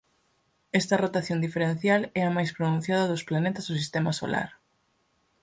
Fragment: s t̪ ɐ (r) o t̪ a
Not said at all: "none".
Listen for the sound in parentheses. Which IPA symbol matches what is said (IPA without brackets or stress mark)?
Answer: r